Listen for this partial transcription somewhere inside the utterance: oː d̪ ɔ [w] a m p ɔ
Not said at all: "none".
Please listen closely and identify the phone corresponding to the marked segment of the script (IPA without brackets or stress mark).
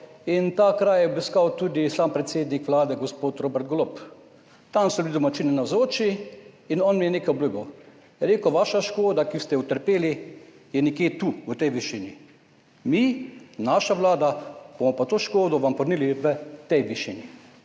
ʋ